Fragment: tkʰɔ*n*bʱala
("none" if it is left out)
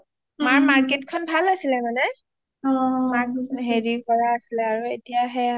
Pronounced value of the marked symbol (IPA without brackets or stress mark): n